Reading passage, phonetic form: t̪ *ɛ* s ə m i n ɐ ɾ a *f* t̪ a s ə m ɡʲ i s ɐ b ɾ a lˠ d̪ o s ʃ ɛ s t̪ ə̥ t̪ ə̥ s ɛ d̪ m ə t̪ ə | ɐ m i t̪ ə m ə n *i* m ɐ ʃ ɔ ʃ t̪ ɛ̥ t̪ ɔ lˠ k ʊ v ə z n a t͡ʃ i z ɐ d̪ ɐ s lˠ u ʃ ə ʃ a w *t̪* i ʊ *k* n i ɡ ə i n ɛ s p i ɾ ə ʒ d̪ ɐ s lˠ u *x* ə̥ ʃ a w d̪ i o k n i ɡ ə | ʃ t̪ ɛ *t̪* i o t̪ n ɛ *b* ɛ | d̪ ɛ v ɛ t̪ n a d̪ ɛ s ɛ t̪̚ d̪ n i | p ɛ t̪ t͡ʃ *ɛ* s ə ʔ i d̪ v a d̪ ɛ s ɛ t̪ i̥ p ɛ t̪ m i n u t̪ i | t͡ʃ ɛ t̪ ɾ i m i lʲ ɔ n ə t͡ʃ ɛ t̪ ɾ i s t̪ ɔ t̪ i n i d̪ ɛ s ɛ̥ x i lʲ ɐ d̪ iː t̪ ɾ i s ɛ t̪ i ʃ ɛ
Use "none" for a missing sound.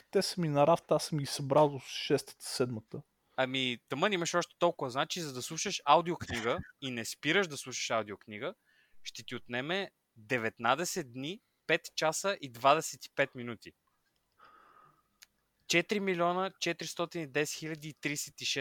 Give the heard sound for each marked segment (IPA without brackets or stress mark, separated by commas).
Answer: ɛ, f, i, d̪, k, ʃ, t̪, m, a